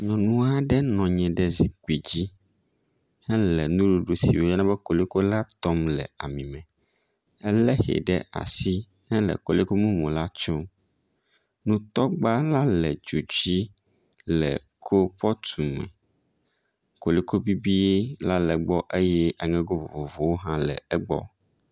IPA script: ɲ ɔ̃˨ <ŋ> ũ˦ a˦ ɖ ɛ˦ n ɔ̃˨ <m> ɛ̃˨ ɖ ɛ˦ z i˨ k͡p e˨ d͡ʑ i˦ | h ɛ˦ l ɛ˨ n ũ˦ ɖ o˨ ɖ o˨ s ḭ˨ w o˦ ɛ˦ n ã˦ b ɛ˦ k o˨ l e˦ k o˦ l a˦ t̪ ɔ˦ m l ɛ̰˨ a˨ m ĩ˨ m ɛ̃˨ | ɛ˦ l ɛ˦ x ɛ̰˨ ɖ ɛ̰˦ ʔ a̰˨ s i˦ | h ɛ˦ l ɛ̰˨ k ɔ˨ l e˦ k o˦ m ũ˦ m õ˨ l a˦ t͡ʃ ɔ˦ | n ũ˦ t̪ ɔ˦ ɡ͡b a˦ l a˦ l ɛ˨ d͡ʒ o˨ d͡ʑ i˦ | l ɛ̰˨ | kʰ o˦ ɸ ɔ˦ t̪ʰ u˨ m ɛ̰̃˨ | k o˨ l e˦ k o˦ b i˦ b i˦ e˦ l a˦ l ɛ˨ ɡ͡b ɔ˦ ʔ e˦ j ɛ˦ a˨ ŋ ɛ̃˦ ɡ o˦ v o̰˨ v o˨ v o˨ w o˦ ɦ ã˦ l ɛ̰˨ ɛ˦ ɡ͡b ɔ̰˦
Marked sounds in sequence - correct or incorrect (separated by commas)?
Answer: incorrect, incorrect